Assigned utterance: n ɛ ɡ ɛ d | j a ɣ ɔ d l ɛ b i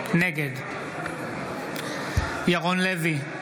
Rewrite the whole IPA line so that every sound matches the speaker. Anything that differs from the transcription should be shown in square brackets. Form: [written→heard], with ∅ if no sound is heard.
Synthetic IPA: n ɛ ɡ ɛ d | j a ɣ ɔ [d→n] l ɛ [b→v] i